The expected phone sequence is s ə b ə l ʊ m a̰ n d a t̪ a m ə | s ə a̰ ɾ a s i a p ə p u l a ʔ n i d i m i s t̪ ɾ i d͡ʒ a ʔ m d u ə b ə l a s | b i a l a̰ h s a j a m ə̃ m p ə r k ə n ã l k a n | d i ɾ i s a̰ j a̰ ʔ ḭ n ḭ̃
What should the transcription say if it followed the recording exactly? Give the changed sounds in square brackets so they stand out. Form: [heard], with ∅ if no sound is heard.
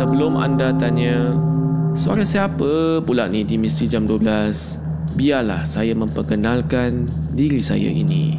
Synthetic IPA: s ə b ə l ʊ m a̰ n d a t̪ a [ɲ] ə | s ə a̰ ɾ a s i a p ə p u l a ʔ n i d i m i s t̪ ɾ i d͡ʒ a [∅] m d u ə b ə l a s | b i a l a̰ h s a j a m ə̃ m p ə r k ə n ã l k a n | d i ɾ i s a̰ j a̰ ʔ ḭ n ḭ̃